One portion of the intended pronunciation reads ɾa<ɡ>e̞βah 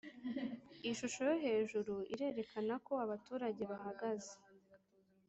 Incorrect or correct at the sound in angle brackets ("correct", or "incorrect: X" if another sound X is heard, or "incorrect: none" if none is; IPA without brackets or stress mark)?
incorrect: ɟ